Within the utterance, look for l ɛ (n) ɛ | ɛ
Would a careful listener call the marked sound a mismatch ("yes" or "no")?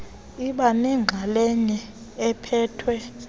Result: yes